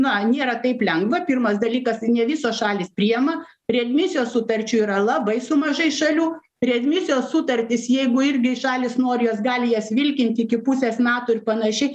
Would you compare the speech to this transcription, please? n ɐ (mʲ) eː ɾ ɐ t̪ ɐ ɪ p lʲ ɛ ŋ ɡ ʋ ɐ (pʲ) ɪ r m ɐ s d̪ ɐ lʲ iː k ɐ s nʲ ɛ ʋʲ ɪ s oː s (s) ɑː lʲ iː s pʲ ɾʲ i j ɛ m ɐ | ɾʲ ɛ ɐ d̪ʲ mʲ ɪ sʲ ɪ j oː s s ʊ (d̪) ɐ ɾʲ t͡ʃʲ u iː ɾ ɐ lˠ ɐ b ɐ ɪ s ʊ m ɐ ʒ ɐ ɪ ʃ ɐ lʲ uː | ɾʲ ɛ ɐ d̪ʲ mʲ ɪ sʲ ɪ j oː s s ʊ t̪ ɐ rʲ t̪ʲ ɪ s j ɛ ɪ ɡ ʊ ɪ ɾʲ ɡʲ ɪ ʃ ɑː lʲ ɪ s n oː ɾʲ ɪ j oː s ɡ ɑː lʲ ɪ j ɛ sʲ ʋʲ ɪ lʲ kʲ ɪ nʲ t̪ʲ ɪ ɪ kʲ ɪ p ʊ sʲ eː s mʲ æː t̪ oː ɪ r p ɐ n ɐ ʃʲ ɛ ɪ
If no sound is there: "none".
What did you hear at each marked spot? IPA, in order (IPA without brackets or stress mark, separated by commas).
nʲ, pʲ, ʃ, t̪